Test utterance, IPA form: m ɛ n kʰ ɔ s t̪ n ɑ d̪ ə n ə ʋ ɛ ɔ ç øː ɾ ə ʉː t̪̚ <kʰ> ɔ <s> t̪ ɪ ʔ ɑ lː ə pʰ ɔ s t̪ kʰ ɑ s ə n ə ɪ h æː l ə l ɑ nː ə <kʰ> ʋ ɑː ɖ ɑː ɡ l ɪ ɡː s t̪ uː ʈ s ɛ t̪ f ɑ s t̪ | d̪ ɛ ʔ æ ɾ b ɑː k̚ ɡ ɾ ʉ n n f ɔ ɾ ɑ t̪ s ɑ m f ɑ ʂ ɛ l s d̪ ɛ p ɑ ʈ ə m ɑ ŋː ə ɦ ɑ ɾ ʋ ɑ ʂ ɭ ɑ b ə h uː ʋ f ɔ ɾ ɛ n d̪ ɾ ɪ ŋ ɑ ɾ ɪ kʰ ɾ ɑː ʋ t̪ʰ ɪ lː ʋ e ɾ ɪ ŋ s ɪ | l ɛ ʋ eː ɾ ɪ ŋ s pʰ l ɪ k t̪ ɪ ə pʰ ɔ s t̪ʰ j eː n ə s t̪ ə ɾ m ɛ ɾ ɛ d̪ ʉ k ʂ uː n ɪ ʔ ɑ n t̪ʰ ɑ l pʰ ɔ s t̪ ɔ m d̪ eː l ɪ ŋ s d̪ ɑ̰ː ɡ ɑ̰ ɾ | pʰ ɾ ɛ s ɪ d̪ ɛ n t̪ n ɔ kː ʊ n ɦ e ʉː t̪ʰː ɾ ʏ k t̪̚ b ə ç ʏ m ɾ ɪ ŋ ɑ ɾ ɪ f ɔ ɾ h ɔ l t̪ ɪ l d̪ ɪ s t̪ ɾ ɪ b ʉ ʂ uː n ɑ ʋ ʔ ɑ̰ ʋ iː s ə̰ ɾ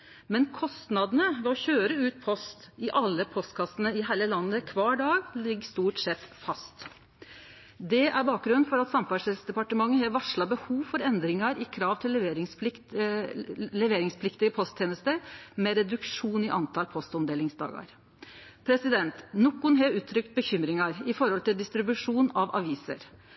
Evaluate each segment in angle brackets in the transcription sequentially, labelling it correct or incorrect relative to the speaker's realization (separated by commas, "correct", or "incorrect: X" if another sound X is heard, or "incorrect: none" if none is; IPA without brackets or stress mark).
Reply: incorrect: pʰ, correct, correct